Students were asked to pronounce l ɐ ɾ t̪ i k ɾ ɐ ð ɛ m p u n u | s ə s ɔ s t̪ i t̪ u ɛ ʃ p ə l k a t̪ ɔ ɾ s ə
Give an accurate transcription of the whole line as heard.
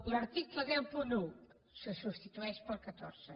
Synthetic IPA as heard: l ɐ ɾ t̪ i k l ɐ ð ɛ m p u n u | s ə s u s t̪ i t̪ u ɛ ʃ p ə l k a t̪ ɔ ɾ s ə